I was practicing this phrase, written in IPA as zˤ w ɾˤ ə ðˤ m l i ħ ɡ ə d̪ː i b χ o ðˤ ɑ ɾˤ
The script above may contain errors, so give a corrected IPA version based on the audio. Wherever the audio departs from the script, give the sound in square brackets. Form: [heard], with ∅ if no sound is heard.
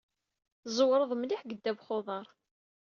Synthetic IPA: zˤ w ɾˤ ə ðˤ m l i ħ ɡ ə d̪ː [æ] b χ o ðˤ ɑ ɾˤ

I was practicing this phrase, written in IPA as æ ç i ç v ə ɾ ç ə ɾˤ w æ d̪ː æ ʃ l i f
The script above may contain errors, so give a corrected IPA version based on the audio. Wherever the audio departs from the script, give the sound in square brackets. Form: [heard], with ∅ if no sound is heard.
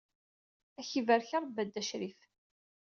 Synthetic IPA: æ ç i [∅] v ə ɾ ç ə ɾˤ [b] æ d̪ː æ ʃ [ɾ] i f

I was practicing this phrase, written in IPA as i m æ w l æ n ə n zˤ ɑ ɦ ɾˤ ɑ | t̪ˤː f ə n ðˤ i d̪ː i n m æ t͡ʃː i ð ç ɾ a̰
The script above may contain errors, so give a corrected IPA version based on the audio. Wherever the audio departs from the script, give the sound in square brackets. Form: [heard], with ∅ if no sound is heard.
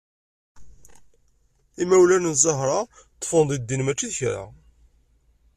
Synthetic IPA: i m æ w l æ n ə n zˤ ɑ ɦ ɾˤ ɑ | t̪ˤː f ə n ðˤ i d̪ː i n m æ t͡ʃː i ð ç ɾ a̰

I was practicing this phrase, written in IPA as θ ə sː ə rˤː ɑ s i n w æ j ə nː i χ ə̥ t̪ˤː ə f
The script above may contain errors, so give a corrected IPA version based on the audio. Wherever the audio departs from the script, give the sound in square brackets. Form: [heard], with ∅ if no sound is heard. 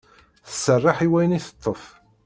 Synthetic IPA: θ ə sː ə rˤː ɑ [ħ] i [∅] w æ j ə [n] i [θ] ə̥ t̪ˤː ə f

